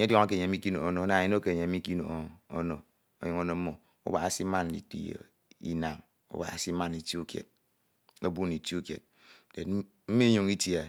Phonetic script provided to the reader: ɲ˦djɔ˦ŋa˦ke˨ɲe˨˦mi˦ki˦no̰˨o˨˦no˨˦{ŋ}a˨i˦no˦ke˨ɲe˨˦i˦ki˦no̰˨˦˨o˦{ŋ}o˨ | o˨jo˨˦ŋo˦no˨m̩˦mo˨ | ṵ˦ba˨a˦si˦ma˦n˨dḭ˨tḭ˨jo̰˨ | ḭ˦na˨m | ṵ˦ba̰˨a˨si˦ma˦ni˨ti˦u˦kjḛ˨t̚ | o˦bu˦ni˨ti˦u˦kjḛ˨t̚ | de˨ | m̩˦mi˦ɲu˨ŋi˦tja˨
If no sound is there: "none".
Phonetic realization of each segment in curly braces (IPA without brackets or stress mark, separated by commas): n, n